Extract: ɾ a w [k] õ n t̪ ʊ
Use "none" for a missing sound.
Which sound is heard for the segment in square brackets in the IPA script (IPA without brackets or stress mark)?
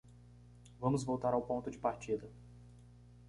p